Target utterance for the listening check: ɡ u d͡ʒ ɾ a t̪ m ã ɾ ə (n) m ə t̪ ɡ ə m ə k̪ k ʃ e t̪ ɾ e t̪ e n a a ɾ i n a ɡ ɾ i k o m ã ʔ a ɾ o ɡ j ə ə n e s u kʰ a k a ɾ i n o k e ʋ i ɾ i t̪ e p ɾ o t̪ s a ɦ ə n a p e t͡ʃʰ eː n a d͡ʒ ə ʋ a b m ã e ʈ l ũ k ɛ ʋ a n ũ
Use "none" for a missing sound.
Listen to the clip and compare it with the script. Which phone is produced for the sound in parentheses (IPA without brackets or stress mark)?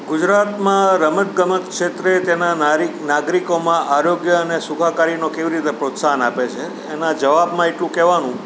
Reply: none